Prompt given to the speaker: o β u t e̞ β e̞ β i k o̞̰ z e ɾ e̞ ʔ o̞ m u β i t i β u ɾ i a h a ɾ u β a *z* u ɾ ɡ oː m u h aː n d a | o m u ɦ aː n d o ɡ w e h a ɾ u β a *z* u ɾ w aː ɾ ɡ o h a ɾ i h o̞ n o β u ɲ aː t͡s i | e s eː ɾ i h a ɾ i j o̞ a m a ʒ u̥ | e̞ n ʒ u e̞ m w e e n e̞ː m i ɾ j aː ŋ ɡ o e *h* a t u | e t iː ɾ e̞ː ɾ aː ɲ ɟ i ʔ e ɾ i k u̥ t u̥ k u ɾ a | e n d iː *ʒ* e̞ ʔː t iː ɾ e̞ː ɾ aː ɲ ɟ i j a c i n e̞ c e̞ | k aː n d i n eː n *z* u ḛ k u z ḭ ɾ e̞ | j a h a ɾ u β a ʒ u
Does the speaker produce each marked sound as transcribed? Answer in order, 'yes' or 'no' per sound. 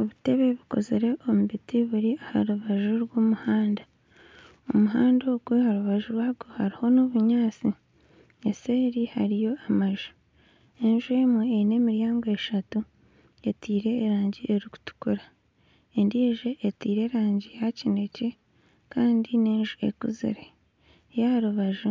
no, no, no, yes, no

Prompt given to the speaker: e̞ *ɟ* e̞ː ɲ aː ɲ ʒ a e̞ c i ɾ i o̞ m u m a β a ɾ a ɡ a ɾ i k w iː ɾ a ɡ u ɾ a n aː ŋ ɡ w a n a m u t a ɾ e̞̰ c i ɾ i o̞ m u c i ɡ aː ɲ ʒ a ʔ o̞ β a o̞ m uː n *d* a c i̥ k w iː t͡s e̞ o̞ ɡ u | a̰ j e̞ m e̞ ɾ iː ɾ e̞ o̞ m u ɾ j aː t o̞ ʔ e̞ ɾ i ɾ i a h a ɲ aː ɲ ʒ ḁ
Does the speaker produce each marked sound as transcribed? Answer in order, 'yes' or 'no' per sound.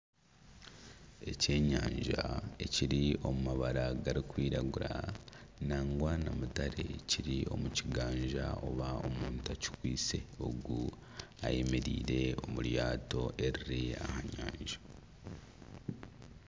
no, no

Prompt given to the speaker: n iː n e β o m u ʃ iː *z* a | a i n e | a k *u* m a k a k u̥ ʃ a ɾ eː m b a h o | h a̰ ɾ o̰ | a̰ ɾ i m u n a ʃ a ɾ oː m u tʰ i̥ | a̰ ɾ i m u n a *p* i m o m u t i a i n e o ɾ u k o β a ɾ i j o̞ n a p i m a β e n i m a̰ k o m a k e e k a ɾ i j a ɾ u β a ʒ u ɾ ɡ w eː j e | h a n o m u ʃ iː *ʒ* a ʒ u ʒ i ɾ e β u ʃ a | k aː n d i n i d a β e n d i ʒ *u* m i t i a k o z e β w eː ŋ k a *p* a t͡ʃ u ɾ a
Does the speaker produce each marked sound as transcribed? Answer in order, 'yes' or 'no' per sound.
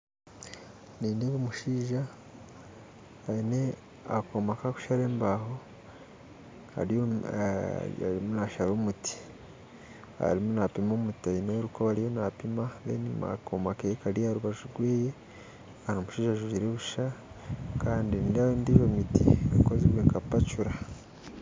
no, no, yes, yes, no, yes

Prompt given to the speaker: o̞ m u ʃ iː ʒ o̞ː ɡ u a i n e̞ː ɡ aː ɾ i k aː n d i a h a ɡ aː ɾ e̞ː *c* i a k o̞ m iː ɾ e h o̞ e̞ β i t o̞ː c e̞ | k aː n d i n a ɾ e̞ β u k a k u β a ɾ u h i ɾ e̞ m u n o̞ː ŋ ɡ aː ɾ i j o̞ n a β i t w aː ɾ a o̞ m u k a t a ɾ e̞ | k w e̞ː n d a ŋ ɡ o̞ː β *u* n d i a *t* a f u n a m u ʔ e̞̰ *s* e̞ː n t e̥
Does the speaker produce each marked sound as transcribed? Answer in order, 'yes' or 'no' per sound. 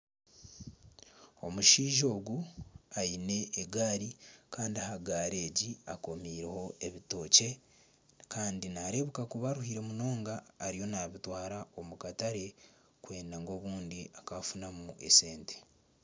no, no, no, yes

